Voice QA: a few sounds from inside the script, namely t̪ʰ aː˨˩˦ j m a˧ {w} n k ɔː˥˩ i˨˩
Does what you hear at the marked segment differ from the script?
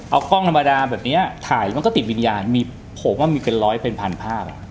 yes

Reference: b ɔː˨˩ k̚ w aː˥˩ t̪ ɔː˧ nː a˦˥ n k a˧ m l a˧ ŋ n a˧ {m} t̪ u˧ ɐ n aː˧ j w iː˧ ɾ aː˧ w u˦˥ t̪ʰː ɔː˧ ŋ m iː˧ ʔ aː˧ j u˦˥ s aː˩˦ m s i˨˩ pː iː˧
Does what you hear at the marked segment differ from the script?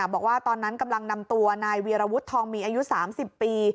no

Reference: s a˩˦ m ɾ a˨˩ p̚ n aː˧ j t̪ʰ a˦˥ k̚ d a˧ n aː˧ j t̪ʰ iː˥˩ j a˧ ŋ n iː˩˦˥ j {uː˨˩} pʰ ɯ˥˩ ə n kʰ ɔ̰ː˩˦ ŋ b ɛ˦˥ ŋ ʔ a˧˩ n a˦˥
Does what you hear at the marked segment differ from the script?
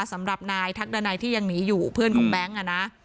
no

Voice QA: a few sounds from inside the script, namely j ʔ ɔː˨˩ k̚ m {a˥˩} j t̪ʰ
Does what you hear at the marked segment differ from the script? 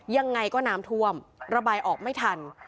no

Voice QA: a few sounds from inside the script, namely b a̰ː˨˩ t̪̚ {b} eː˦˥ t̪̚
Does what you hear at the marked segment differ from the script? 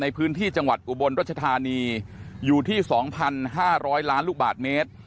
yes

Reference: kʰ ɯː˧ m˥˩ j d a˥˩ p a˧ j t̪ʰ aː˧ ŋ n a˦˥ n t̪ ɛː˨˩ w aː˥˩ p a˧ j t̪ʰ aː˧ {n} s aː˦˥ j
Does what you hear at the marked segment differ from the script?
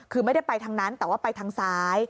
yes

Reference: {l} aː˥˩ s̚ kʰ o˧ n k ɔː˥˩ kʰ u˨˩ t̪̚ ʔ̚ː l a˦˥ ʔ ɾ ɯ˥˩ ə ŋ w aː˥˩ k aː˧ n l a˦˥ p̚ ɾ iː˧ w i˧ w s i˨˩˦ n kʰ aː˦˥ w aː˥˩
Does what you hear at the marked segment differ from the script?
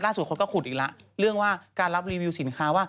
no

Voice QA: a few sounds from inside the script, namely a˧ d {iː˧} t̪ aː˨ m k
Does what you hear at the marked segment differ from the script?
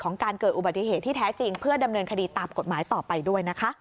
no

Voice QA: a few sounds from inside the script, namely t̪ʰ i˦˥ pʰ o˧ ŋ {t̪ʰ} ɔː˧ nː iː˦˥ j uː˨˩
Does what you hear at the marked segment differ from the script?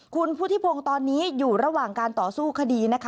yes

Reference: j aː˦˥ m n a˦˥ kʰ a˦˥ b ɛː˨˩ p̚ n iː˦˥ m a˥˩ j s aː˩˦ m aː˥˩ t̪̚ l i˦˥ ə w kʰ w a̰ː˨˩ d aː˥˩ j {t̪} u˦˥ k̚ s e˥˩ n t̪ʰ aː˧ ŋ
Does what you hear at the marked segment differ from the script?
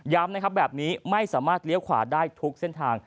yes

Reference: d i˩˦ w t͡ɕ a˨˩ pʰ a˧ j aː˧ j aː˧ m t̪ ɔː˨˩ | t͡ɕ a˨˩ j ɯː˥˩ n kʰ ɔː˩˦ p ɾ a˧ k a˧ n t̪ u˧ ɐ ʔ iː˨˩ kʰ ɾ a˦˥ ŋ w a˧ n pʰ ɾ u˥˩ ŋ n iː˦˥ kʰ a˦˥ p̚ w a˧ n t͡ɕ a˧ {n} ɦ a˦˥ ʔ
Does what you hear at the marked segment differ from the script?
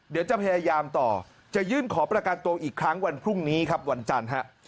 no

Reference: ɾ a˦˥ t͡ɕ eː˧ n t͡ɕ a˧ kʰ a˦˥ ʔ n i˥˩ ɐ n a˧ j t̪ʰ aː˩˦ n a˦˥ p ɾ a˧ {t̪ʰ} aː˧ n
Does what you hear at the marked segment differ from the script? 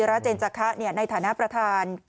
no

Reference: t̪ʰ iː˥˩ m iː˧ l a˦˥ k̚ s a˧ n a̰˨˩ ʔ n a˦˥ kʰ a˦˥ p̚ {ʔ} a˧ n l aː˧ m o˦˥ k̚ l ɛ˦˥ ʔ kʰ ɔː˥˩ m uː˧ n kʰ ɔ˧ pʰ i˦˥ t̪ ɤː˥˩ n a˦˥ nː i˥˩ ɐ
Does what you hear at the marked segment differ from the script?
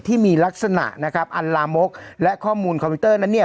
no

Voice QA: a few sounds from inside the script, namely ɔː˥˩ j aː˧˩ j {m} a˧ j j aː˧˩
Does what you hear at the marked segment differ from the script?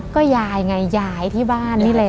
yes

